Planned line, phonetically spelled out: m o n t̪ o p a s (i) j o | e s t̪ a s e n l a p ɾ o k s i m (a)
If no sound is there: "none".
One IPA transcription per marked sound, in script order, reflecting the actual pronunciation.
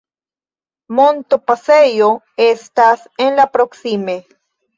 e, e

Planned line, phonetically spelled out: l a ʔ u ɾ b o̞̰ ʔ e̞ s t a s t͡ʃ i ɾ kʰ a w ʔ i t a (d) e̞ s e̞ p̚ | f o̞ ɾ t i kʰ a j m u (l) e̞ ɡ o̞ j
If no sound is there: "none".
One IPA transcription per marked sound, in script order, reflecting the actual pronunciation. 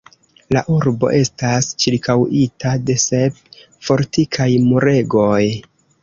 d, ɾ

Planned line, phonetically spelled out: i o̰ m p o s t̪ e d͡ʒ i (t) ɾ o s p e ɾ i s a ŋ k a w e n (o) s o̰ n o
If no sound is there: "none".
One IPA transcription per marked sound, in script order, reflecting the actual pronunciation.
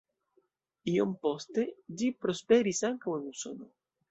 p, u

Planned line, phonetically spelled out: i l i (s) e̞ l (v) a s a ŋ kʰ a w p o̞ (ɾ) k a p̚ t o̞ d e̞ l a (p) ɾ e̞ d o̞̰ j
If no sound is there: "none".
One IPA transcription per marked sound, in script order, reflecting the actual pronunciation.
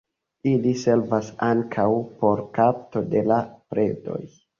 s, v, ɾ, p

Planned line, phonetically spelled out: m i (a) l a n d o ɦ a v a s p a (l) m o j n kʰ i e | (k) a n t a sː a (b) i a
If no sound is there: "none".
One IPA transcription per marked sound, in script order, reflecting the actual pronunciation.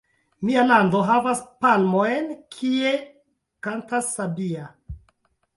a, l, k, b

